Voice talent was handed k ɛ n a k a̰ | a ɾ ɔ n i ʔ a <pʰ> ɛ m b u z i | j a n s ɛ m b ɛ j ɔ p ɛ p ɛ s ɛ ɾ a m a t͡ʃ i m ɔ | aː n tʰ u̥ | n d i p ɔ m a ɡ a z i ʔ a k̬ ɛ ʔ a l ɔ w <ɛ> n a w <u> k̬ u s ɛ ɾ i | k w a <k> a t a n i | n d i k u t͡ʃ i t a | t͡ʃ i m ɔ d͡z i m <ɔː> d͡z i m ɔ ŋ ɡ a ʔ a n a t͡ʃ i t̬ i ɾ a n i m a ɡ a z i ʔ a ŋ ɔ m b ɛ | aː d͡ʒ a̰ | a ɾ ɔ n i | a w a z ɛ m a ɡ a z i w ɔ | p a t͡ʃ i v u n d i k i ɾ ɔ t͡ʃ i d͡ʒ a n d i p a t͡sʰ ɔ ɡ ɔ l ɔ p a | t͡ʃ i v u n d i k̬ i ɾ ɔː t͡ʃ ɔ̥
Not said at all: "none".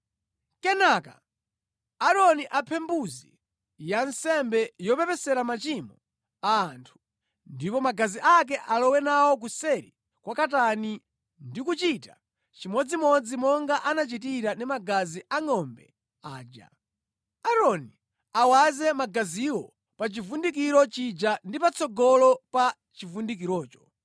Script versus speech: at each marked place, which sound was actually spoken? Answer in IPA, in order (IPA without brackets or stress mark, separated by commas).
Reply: pʰ, ɛ, ɔ, k, ɔ